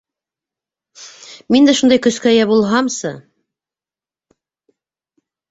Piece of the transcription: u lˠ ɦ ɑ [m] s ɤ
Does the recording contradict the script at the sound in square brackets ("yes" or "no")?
no